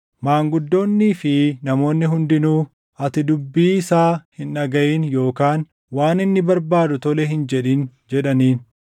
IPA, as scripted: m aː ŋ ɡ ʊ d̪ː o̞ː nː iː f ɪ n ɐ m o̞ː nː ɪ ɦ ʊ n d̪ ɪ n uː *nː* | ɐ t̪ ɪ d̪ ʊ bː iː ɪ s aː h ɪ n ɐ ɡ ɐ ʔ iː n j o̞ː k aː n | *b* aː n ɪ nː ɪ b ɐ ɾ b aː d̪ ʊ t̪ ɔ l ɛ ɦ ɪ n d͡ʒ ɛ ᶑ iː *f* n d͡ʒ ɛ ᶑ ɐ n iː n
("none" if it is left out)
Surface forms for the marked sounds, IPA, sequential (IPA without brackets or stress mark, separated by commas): none, w, none